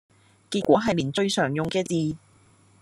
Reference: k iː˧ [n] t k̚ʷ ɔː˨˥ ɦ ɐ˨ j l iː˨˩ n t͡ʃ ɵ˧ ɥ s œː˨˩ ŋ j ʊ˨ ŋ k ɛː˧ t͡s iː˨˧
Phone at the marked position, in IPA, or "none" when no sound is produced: none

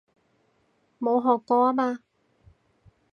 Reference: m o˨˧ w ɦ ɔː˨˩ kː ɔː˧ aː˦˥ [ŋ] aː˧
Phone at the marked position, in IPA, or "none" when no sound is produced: m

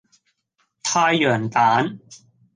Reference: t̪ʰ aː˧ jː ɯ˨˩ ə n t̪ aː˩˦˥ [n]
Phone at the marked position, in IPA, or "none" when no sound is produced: n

